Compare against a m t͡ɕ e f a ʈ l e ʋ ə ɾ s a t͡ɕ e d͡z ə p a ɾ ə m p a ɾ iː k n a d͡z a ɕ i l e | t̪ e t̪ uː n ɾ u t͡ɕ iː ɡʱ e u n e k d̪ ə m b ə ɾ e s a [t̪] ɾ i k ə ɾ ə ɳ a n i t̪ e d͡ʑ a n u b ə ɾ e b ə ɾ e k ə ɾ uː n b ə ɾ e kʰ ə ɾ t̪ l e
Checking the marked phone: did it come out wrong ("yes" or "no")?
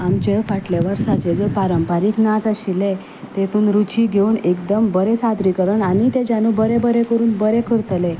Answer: yes